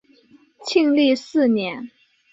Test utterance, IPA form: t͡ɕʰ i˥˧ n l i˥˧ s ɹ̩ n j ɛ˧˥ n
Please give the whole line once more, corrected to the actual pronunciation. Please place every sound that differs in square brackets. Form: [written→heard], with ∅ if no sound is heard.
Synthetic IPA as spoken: t͡ɕʰ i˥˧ [n→ŋ] l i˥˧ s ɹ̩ n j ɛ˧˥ n